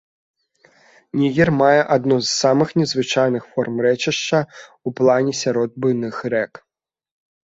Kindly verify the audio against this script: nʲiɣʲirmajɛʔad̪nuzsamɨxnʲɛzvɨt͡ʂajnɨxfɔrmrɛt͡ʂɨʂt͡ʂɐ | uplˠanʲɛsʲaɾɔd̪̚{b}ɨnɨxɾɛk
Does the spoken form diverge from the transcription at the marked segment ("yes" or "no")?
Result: no